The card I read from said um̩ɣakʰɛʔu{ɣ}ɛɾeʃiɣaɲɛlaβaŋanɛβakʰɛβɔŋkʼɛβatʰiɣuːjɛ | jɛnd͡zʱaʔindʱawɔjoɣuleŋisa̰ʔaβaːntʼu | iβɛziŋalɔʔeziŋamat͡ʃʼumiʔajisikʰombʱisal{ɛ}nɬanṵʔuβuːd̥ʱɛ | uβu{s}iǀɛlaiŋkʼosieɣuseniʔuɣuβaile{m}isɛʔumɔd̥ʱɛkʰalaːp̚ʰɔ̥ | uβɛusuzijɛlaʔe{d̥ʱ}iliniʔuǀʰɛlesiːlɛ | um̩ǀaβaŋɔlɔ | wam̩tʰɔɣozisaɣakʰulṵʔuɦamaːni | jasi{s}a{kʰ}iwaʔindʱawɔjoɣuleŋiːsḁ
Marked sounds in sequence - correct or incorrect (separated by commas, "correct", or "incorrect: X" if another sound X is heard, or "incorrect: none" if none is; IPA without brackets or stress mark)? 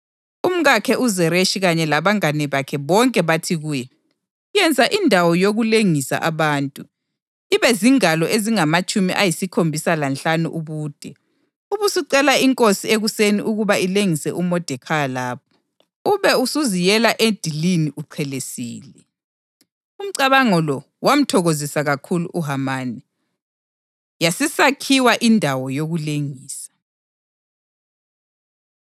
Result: incorrect: z, incorrect: a, correct, incorrect: ŋ, correct, correct, correct